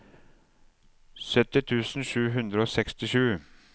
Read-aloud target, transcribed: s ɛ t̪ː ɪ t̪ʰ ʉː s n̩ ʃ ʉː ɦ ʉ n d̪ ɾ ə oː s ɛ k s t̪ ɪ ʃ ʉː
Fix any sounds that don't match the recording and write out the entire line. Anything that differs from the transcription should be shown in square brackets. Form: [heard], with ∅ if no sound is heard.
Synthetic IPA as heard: s [œ] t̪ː ɪ t̪ʰ ʉː s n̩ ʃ ʉː ɦ ʉ n d̪ ɾ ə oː s ɛ k s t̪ ɪ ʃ ʉː